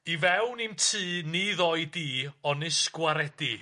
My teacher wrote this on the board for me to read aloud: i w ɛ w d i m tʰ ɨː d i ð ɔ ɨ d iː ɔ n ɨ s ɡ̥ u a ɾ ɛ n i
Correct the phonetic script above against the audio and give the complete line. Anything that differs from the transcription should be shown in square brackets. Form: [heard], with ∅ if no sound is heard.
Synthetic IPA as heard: i [v] ɛ w [n] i m tʰ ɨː [n] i ð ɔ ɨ d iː ɔ n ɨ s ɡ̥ [w] a ɾ ɛ [d] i